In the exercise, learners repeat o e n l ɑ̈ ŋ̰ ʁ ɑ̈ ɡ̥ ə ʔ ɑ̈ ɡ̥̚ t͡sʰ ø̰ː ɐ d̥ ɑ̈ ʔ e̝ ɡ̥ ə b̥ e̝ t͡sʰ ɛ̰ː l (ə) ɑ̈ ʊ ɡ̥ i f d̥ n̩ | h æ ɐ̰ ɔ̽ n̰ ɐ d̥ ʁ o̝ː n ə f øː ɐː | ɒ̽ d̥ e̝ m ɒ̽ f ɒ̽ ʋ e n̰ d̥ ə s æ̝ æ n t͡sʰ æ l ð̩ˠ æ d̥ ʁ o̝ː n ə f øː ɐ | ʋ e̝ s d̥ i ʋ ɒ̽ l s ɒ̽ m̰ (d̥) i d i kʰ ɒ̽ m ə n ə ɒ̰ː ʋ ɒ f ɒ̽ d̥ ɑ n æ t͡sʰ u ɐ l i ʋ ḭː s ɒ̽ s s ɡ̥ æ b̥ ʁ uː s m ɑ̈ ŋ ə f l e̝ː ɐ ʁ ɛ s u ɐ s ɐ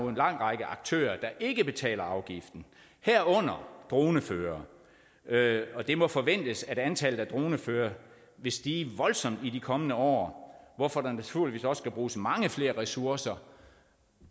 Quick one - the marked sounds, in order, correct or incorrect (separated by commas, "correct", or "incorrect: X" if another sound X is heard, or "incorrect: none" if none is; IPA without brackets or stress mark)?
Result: incorrect: ɐ, correct